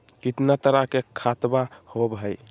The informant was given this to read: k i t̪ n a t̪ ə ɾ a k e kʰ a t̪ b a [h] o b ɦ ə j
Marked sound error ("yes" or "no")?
no